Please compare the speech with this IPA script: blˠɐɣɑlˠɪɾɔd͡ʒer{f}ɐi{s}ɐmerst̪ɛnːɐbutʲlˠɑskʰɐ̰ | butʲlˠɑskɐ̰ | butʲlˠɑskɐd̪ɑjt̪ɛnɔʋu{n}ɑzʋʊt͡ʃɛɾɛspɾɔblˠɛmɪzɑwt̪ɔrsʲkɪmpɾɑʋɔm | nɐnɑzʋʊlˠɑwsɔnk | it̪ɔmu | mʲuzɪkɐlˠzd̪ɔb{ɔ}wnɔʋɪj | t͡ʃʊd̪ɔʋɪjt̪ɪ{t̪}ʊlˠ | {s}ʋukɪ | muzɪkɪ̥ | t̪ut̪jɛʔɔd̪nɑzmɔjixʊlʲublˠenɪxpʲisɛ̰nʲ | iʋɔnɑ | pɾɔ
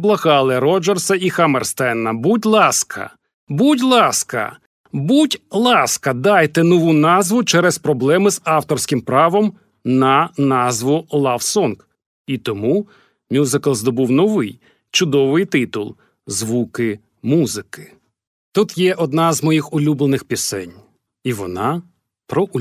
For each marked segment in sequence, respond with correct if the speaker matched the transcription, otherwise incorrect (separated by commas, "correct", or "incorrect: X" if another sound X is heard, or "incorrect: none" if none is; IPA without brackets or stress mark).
incorrect: s, incorrect: x, correct, incorrect: u, correct, incorrect: z